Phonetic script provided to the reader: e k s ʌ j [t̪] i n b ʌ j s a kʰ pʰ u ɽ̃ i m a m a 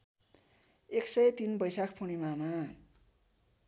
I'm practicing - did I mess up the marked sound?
no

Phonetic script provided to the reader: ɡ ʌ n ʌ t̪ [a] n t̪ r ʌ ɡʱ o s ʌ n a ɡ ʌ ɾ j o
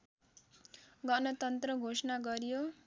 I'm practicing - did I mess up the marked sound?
yes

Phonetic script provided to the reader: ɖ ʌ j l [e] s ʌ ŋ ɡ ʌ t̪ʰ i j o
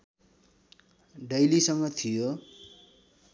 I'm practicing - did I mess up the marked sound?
yes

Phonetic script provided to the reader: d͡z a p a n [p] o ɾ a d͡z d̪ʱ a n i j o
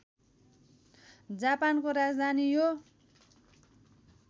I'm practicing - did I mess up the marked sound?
yes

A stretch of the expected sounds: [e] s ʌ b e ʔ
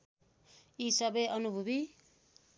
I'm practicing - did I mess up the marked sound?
yes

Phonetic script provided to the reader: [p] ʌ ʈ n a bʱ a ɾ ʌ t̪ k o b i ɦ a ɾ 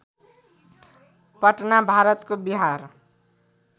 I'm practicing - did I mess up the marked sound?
no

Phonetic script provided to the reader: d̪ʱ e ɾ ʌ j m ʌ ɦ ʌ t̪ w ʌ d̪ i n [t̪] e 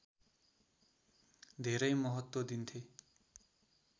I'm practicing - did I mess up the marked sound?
yes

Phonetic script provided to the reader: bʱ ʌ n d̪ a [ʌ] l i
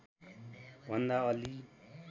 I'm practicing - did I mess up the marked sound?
no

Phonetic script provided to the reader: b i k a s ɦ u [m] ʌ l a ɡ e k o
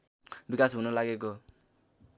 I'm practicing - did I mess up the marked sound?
yes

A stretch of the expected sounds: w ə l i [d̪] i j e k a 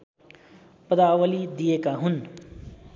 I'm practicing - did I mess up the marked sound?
no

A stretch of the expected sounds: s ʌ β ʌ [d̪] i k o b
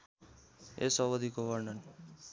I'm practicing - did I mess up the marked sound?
no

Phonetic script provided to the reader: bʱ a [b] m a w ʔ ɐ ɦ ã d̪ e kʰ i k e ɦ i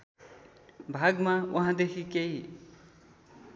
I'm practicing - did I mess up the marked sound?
yes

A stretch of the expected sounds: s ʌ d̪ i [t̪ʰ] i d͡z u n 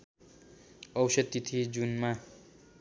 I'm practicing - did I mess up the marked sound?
no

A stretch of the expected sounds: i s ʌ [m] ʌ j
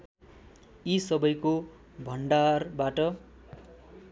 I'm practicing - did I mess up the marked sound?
yes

